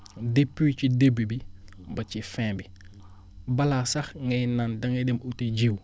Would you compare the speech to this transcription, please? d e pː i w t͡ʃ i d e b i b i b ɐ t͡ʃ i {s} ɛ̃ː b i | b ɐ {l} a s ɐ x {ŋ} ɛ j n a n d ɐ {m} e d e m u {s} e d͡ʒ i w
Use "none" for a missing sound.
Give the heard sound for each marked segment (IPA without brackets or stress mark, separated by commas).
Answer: f, l, ŋ, ŋ, t